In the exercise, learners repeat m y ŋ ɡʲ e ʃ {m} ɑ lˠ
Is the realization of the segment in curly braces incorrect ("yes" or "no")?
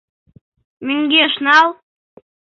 yes